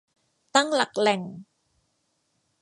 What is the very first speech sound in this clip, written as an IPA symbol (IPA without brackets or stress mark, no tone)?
t̪